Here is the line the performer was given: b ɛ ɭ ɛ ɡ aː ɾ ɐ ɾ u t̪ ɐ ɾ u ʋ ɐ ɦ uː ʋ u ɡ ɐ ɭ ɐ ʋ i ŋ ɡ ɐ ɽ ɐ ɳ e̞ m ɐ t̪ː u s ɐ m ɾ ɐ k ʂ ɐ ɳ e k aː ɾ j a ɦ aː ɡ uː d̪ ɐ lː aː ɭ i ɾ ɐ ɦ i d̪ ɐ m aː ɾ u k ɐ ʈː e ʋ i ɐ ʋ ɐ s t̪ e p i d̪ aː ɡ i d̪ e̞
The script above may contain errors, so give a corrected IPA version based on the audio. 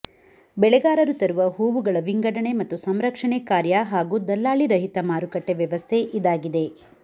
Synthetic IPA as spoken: b ɛ ɭ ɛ ɡ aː ɾ ɐ ɾ u t̪ ɐ ɾ u ʋ ɐ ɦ uː ʋ u ɡ ɐ ɭ ɐ ʋ i ŋ ɡ ɐ ɽ ɐ ɳ e̞ m ɐ t̪ː u s ɐ m ɾ ɐ k ʂ ɐ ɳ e k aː ɾ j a ɦ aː ɡ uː d̪ ɐ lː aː ɭ i ɾ ɐ ɦ i t̪ ɐ m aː ɾ u k ɐ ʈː e ʋ j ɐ ʋ ɐ s t̪ʰ e ʔ i d̪ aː ɡ i d̪ e̞